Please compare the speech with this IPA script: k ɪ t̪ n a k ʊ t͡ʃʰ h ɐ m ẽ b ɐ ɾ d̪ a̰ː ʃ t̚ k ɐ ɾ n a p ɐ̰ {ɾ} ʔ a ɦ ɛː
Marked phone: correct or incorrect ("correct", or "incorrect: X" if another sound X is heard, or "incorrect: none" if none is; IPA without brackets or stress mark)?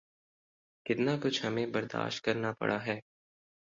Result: incorrect: ɽ